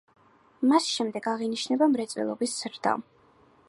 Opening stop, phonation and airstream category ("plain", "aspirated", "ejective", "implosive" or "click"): plain